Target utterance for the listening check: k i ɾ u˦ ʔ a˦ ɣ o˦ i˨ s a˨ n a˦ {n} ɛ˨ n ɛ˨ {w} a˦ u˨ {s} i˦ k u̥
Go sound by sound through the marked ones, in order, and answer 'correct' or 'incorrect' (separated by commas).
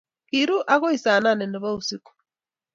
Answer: correct, incorrect, correct